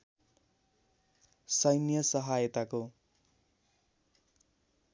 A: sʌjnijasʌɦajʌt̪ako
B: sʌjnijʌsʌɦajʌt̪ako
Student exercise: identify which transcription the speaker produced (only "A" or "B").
B